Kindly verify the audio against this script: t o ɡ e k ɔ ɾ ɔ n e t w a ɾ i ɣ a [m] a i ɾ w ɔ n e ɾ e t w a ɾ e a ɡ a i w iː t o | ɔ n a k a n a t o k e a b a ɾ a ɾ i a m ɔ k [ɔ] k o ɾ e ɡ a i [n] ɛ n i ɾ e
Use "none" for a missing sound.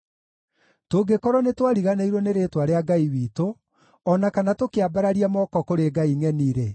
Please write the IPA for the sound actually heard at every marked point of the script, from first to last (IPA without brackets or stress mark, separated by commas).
n, ɔ, ŋ